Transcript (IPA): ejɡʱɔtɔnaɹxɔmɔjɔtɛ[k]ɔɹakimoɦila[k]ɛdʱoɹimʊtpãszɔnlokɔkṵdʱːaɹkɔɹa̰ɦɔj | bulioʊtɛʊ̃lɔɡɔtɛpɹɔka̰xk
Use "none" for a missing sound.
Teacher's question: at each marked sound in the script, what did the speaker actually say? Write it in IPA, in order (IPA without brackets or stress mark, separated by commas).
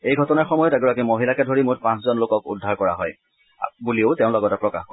ɡ, k